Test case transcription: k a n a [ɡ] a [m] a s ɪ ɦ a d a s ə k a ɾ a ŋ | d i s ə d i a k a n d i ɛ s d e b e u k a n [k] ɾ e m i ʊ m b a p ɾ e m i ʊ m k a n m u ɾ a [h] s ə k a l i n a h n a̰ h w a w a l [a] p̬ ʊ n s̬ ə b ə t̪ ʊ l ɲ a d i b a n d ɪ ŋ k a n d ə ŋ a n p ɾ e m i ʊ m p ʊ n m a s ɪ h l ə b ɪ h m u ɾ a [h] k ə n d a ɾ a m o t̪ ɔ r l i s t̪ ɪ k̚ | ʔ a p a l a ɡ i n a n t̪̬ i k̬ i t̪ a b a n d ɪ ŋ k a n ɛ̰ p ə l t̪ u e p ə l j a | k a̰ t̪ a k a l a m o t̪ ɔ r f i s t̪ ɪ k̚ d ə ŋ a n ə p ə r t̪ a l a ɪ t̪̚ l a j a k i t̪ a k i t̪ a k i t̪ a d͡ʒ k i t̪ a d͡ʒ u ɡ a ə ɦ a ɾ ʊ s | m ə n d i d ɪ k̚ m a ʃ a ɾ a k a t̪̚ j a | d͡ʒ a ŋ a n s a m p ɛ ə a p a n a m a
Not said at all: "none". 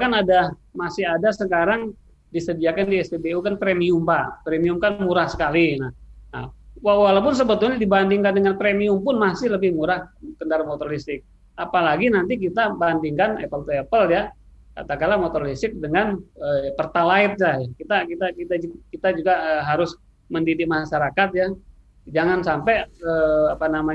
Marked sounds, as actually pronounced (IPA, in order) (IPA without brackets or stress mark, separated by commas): d, m, p, h, a, h